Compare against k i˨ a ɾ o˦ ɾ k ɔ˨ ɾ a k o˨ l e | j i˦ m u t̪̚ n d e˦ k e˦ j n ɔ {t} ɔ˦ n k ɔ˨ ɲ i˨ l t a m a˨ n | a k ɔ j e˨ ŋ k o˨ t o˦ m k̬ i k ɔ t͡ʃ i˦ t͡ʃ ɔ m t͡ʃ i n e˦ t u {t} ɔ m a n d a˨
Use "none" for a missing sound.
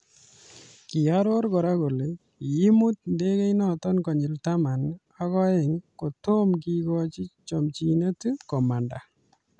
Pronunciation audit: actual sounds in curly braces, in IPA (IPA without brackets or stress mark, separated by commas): t, k